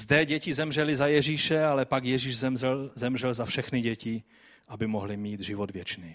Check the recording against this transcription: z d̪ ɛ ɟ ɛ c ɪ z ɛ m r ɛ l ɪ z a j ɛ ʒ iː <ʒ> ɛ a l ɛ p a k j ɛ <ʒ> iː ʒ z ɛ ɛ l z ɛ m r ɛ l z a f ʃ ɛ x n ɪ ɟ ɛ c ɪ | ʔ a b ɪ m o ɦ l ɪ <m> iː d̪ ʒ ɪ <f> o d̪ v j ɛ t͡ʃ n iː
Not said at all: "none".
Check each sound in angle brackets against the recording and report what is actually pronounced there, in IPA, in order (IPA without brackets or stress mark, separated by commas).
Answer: ʃ, ʒ, m, v